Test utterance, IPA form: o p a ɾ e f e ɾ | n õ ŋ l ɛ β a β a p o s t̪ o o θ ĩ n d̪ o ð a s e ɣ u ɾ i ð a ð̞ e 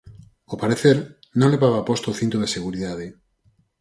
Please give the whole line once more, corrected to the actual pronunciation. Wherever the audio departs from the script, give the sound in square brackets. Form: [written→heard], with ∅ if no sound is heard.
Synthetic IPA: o p a ɾ e [f→θ] e ɾ | n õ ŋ l [ɛ→e] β a β a p o s t̪ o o θ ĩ n [d̪→t̪] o ð [a→e] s e ɣ u ɾ i ð a ð̞ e